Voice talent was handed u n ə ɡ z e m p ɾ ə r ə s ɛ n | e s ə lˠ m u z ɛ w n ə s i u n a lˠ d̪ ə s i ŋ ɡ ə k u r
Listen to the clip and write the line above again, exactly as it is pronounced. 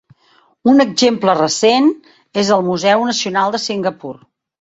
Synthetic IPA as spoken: u n ə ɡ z e m p l ə r ə s e n | e z ə lˠ m u z ɛ w n ə s i u n a lˠ d̪ ə s i ŋ ɡ ə p u r